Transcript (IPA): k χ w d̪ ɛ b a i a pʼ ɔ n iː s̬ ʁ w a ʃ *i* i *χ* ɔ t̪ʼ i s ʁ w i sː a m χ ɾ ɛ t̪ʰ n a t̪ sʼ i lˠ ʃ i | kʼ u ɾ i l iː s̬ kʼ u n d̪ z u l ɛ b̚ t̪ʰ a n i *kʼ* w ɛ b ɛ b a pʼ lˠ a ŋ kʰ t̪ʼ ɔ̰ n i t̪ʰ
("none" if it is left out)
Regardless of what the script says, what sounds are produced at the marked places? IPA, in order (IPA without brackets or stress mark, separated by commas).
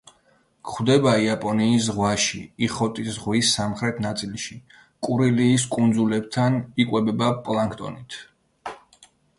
i, χ, kʼ